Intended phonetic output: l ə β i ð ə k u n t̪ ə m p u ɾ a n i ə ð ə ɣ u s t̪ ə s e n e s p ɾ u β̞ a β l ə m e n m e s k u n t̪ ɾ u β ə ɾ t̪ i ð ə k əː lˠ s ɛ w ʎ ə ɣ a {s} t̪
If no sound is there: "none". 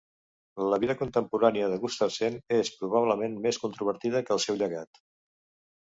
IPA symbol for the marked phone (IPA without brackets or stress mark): none